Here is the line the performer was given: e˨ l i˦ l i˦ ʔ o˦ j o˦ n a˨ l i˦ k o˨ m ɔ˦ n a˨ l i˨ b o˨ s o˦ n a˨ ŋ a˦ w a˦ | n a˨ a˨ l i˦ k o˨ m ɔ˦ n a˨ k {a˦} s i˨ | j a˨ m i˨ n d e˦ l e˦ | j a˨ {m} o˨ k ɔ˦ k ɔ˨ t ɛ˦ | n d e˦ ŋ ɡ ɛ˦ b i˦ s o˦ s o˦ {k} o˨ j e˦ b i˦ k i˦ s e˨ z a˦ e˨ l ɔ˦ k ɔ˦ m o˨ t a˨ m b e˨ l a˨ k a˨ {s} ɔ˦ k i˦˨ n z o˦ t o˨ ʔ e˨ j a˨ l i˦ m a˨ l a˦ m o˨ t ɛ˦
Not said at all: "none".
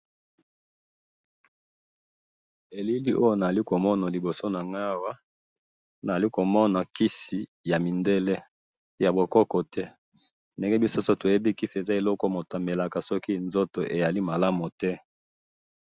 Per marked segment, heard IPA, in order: i˦, b, t, s

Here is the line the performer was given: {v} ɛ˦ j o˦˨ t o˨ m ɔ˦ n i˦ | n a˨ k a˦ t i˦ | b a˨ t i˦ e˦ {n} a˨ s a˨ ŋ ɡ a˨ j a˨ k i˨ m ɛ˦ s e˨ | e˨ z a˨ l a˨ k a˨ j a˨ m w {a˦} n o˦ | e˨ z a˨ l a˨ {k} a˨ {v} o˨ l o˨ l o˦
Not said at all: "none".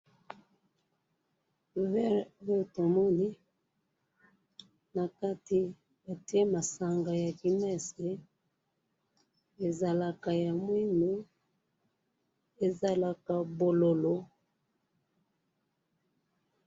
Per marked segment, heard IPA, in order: v, m, i˦, k, b

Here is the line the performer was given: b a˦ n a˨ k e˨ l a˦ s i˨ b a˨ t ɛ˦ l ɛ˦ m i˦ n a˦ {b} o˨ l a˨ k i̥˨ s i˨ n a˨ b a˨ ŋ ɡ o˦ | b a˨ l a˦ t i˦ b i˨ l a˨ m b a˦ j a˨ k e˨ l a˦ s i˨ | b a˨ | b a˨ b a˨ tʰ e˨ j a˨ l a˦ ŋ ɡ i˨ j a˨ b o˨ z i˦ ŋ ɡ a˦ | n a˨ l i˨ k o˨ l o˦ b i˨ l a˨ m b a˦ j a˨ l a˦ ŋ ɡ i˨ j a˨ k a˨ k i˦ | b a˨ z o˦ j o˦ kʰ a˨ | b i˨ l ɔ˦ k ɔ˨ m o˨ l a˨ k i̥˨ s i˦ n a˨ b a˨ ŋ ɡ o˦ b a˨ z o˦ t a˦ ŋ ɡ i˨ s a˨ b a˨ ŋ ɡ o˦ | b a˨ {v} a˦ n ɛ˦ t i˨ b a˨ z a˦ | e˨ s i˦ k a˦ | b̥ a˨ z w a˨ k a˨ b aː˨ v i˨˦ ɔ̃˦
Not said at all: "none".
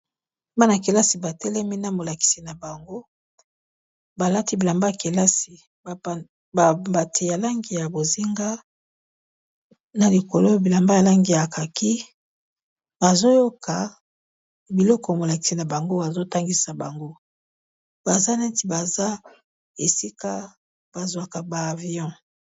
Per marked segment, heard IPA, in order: m, z

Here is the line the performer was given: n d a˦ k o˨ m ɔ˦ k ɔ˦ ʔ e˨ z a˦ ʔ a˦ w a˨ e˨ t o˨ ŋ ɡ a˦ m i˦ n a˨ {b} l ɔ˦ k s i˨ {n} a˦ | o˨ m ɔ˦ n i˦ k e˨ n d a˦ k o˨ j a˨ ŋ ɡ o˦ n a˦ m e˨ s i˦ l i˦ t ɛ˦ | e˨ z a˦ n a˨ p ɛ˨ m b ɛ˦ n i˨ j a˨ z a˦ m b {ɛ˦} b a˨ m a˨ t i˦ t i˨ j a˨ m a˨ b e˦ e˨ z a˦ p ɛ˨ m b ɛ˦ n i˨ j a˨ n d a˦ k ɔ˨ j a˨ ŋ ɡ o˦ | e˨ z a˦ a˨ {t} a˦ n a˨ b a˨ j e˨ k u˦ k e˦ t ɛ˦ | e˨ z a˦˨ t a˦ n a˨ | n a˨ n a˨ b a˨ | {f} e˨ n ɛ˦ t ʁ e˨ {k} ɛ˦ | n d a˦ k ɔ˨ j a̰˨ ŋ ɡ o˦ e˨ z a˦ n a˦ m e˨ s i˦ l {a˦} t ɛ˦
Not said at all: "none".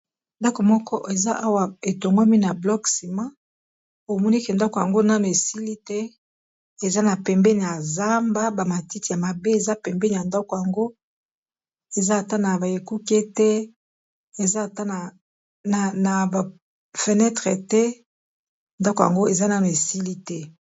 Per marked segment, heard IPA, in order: b, m, a˦, t, f, t, i˦

